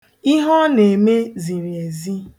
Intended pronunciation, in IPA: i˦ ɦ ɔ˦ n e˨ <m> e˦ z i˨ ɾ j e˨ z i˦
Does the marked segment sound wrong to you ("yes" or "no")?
no